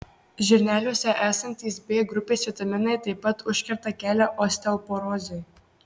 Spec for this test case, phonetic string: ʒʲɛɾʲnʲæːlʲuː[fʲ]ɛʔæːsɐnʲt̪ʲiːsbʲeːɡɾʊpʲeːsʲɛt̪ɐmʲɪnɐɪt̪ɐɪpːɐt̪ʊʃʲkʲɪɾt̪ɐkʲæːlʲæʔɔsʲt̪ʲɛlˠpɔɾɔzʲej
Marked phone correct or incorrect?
incorrect